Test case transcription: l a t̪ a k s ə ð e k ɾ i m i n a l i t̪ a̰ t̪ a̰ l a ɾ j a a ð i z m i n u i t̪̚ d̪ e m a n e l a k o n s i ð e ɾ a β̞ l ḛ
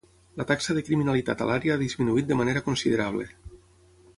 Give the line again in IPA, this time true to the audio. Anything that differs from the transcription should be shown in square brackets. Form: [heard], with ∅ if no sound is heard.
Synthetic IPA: l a t̪ a k s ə ð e k ɾ i m i n a l i t̪ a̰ t̪ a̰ l a ɾ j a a ð i z m i n u i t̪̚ d̪ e m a n e [ɾ] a k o n s i ð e ɾ a β̞ l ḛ